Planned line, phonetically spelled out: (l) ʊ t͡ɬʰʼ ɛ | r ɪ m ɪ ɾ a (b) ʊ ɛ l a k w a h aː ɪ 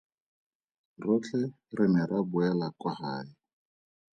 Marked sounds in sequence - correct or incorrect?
incorrect: r, correct

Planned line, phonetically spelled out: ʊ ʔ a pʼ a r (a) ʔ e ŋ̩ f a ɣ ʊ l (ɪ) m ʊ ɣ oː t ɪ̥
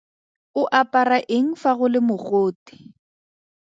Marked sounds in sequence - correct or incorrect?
correct, correct

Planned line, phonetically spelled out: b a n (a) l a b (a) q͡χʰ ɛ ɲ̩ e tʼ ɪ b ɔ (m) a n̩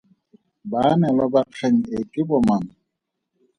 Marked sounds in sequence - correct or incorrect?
incorrect: ɛ, correct, correct

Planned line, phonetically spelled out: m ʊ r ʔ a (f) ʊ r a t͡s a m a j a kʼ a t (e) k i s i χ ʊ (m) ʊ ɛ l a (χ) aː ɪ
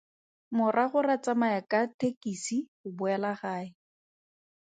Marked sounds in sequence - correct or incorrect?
incorrect: χ, correct, incorrect: b, correct

